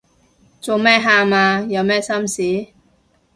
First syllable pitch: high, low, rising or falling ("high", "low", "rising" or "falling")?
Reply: low